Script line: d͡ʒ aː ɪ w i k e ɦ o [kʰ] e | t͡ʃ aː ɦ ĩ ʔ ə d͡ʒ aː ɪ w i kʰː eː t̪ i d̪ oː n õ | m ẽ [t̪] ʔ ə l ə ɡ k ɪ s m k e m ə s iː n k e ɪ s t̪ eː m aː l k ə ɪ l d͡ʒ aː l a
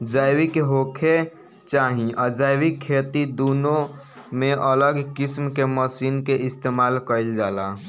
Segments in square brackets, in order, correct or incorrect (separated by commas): correct, incorrect